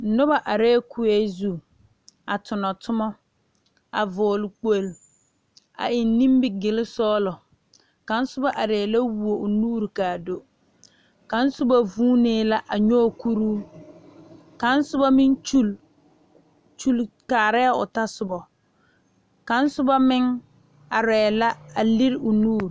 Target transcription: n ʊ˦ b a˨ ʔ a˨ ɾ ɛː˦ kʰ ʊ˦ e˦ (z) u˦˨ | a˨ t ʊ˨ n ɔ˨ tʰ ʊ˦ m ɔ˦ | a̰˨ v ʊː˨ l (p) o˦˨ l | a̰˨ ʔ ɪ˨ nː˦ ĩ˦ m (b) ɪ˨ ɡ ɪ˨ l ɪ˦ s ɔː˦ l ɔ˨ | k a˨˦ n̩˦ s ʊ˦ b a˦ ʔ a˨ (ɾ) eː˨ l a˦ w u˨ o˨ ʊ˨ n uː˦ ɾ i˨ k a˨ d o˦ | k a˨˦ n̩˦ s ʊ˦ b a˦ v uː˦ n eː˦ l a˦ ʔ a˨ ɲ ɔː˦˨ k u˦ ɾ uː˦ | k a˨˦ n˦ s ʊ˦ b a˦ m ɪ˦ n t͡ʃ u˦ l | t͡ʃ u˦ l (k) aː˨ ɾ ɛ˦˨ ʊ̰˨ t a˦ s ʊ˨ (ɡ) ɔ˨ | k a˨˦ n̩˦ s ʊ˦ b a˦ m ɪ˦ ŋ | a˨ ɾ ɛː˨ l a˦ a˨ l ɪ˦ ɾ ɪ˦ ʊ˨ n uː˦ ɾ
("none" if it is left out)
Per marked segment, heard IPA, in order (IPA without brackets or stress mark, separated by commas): z, k͡p, b, ɾ, k, b